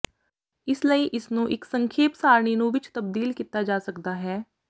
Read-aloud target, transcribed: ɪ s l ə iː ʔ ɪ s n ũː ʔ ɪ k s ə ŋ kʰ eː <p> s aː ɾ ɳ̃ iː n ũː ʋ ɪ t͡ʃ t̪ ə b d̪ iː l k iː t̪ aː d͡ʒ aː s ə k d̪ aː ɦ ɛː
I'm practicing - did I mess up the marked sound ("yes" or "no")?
no